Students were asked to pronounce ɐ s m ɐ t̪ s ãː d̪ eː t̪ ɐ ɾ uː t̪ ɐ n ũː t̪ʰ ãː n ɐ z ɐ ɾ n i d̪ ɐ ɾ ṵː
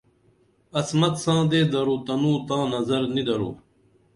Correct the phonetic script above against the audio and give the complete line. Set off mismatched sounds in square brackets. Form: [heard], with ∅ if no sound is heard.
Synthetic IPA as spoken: ɐ s m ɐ t̪ s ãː d̪ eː [d̪] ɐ ɾ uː t̪ ɐ n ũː [t̪] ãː n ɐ z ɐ ɾ n i d̪ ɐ ɾ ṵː

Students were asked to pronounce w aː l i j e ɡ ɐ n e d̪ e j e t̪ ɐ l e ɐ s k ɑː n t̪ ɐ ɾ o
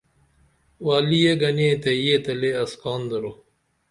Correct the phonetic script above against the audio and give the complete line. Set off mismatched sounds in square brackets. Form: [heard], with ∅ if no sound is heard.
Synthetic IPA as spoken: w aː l i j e ɡ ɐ n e [t̪] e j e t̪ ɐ l e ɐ s k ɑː n [d̪] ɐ ɾ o

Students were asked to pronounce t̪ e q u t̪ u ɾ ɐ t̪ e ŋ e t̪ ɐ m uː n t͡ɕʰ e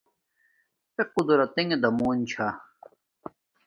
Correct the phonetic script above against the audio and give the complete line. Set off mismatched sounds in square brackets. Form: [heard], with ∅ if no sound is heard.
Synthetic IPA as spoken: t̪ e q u [d̪] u ɾ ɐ t̪ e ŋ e [d̪] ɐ m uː n t͡ɕʰ [a]

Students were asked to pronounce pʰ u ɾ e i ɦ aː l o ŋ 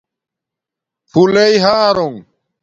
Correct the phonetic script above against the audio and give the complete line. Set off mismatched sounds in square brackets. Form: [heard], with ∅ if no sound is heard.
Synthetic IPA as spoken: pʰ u [l] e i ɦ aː [ɾ] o ŋ

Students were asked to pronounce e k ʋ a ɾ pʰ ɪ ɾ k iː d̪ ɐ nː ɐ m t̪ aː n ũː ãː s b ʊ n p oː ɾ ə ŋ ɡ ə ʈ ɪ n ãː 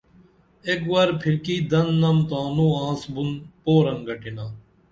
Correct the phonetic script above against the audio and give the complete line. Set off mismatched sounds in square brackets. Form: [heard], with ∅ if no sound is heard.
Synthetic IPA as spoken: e k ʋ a ɾ pʰ ɪ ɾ k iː d̪ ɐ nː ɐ m t̪ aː n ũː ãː s b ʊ n p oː ɾ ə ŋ ɡ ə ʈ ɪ n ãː

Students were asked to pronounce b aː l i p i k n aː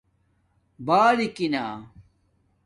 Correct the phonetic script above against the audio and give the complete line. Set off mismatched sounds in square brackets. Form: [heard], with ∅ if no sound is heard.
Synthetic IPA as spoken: b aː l i [k] i [∅] n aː

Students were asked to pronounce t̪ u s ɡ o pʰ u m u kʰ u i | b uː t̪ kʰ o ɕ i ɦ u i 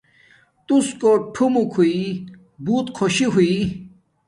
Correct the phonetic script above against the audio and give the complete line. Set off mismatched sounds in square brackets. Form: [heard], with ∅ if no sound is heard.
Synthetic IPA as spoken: t̪ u s [k] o [ʈʰ] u m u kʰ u i | b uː t̪ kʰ o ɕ i ɦ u i

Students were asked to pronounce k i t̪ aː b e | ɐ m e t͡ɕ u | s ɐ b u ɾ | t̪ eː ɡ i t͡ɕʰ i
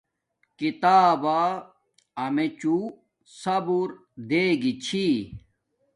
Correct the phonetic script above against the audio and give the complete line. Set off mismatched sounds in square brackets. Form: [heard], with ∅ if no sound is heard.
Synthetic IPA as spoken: k i t̪ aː b [a] | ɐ m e t͡ɕ u | s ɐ b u ɾ | [d̪] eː ɡ i t͡ɕʰ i

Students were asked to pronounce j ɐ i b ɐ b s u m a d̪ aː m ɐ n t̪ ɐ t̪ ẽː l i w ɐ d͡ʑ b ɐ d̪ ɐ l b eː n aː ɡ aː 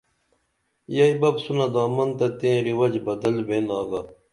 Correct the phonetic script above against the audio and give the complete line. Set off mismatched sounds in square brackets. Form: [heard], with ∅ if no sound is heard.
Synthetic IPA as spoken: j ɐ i b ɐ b s u [n] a d̪ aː m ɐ n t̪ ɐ t̪ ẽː [ɾ] i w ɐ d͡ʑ b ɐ d̪ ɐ l b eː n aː ɡ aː

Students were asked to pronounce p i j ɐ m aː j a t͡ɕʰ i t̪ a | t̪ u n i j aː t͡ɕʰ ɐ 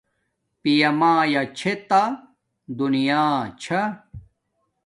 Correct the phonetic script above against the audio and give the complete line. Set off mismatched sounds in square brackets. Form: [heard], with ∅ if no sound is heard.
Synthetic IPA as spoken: p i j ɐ m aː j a t͡ɕʰ [e] t̪ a | [d̪] u n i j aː t͡ɕʰ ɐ

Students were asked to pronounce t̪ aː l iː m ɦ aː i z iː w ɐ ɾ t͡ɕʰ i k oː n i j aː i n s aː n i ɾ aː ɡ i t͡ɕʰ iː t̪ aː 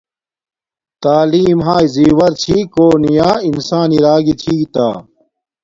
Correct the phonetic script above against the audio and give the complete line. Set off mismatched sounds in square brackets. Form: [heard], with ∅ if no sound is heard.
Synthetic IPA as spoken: t̪ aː l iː m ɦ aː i z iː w ɐ ɾ t͡ɕʰ i k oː n i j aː i n s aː n i ɾ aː ɡ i t͡ɕʰ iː t̪ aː

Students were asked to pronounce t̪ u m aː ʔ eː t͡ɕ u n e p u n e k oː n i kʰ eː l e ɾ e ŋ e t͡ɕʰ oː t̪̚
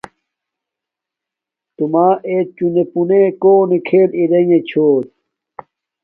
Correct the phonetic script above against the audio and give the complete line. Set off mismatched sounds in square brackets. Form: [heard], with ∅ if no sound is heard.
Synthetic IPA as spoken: t̪ u m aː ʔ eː t͡ɕ u n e p u n e k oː n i kʰ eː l [i] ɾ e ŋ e t͡ɕʰ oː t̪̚

